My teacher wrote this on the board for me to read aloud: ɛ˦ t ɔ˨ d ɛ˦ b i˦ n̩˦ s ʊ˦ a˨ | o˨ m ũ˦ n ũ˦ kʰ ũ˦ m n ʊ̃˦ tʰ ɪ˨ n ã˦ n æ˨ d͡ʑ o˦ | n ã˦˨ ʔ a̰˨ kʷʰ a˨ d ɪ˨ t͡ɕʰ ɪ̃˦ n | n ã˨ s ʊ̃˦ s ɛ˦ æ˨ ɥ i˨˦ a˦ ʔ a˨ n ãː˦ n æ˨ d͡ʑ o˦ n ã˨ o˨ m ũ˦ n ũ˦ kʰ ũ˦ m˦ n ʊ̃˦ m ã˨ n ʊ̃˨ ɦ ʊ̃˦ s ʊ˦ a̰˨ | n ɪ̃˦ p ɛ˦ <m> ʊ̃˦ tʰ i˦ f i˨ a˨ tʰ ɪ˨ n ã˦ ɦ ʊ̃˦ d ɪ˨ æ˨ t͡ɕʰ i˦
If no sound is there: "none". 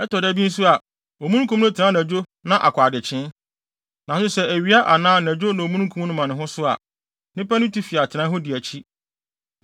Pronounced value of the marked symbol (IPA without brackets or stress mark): n